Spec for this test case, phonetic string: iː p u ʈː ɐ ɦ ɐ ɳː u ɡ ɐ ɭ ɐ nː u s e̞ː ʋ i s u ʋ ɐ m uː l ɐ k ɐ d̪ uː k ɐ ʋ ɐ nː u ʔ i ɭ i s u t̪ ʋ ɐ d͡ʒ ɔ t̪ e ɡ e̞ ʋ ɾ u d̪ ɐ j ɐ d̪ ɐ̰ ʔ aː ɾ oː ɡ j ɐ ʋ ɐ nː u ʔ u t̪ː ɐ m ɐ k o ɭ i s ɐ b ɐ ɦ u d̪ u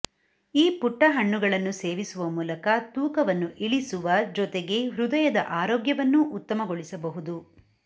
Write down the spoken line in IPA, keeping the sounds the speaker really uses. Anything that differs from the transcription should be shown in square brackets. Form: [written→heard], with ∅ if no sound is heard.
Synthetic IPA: iː p u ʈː ɐ ɦ ɐ ɳː u ɡ ɐ ɭ ɐ nː u s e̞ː ʋ i s u ʋ ɐ m uː l ɐ k ɐ [d̪→t̪] uː k ɐ ʋ ɐ nː u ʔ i ɭ i s u [t̪→∅] ʋ ɐ d͡ʒ ɔ t̪ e ɡ e̞ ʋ ɾ u d̪ ɐ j ɐ d̪ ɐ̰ ʔ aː ɾ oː ɡ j ɐ ʋ ɐ nː u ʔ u t̪ː ɐ m ɐ [k→ɡ] o ɭ i s ɐ b ɐ ɦ u d̪ u

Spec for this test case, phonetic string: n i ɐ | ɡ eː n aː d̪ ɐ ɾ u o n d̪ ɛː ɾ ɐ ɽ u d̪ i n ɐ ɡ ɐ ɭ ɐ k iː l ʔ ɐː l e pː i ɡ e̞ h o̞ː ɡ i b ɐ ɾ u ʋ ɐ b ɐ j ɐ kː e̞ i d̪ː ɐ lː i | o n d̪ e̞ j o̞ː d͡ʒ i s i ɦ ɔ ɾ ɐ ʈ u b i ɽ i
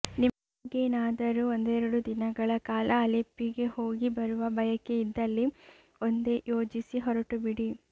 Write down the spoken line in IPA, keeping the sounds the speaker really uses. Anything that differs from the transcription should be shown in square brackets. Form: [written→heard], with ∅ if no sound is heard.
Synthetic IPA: n i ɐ | ɡ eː n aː d̪ ɐ ɾ u o n d̪ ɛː ɾ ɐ ɽ u d̪ i n ɐ ɡ ɐ ɭ ɐ k [iː→aː] l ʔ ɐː l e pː i ɡ e̞ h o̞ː ɡ i b ɐ ɾ u ʋ ɐ b ɐ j ɐ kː e̞ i d̪ː ɐ lː i | o n d̪ e̞ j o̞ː d͡ʒ i s i ɦ ɔ ɾ ɐ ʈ u b i ɽ i

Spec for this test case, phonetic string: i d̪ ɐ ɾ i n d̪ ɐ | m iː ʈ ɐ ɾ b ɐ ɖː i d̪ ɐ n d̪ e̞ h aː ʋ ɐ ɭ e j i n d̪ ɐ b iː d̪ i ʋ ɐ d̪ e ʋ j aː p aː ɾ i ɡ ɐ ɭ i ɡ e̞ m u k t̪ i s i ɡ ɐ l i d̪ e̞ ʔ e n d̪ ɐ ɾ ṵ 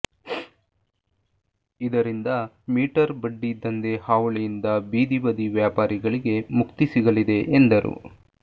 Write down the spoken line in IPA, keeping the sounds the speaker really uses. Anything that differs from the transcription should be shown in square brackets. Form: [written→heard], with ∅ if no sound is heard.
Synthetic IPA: i d̪ ɐ ɾ i n d̪ ɐ | m iː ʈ ɐ ɾ b ɐ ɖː i d̪ ɐ n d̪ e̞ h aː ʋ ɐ ɭ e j i n d̪ ɐ b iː d̪ i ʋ ɐ d̪ [e→i] ʋ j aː p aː ɾ i ɡ ɐ ɭ i ɡ e̞ m u k t̪ i s i ɡ ɐ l i d̪ e̞ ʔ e n d̪ ɐ ɾ ṵ

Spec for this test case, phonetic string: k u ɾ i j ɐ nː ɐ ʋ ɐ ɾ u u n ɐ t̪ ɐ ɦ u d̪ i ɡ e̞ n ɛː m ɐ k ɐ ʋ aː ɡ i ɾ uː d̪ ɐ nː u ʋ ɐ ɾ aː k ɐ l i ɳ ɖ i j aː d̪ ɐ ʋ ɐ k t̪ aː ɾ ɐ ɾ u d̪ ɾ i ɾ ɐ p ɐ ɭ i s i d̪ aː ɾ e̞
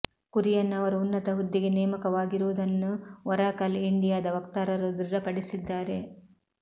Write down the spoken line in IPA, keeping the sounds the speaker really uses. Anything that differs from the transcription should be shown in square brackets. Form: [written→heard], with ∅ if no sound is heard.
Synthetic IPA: k u ɾ i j ɐ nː ɐ ʋ ɐ ɾ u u [n→nː] ɐ t̪ ɐ ɦ u [d̪→d̪ː] i ɡ e̞ n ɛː m ɐ k ɐ ʋ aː ɡ i ɾ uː d̪ ɐ nː u ʋ ɐ ɾ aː k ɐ l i ɳ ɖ i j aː d̪ ɐ ʋ ɐ k t̪ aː ɾ ɐ ɾ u d̪ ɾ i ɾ ɐ p ɐ [ɭ→ɽ] i s i [d̪→d̪ː] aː ɾ e̞

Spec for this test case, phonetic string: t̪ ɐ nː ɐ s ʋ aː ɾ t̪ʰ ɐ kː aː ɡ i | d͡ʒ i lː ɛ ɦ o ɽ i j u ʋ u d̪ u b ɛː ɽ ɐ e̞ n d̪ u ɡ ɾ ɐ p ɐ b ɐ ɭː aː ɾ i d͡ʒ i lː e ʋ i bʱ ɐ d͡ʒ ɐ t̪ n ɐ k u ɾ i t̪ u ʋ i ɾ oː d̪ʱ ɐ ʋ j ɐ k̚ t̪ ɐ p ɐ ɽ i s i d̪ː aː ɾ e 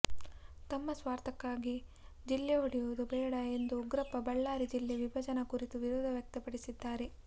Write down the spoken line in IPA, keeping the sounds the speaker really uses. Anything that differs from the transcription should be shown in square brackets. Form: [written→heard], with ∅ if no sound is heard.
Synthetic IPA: t̪ ɐ [nː→mː] ɐ s ʋ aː ɾ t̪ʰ ɐ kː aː ɡ i | d͡ʒ i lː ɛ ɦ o ɽ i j u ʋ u d̪ u b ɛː ɽ ɐ e̞ n d̪ u ɡ ɾ ɐ p ɐ b ɐ ɭː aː ɾ i d͡ʒ i lː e ʋ i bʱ ɐ d͡ʒ ɐ [t̪→∅] n ɐ k u ɾ i t̪ u ʋ i ɾ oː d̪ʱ ɐ ʋ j ɐ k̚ t̪ ɐ p ɐ ɽ i s i d̪ː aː ɾ e

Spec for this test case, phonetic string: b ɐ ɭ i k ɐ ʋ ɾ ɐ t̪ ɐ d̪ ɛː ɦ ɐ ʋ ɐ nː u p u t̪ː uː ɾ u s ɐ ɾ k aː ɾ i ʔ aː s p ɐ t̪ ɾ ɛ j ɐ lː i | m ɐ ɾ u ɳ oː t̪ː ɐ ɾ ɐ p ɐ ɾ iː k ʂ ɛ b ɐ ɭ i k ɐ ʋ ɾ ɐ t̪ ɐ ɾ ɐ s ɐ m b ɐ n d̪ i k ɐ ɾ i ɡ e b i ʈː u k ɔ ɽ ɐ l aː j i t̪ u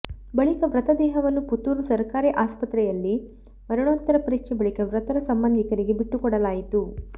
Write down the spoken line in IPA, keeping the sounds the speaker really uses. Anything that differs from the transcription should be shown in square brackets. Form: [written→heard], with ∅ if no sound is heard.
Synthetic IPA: b ɐ ɭ i k ɐ ʋ ɾ ɐ t̪ ɐ d̪ ɛː ɦ ɐ ʋ ɐ nː u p u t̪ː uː ɾ u s ɐ ɾ k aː ɾ i ʔ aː s p ɐ t̪ ɾ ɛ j ɐ lː i | m ɐ ɾ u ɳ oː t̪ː ɐ ɾ ɐ p ɐ ɾ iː k ʂ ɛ b ɐ ɭ i k ɐ ʋ ɾ ɐ t̪ ɐ ɾ ɐ s ɐ m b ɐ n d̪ i k ɐ ɾ i ɡ e b i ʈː u k ɔ ɽ ɐ l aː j i t̪ u

